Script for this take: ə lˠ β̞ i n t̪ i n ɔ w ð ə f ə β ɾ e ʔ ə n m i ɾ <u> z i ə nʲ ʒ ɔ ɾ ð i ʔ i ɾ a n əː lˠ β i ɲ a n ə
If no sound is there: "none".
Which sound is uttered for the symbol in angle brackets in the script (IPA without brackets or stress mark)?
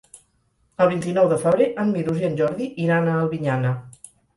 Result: u